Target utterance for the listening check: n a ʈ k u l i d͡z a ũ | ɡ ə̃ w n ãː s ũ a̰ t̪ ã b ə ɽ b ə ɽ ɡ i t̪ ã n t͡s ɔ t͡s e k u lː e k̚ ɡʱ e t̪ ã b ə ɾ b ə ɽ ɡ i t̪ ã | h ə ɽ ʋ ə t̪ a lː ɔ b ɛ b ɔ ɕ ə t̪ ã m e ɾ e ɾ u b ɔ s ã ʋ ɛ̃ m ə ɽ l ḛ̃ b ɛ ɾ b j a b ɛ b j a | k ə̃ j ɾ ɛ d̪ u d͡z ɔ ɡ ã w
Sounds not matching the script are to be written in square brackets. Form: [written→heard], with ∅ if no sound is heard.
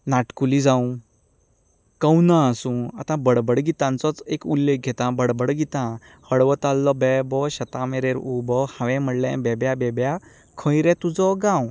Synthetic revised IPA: n a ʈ k u l i d͡z a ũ | [ɡ→k] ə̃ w n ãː s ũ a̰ t̪ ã b ə ɽ b ə ɽ ɡ i t̪ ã n t͡s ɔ t͡s e k u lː e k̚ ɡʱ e t̪ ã b ə [ɾ→ɽ] b ə ɽ ɡ i t̪ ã | h ə ɽ ʋ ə t̪ a lː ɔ b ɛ b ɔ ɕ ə t̪ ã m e ɾ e ɾ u b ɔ [s→h] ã ʋ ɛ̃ m ə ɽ l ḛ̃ b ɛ [ɾ→∅] b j a b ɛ b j a | [k→kʰ] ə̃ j ɾ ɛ [d̪→t̪] u d͡z ɔ ɡ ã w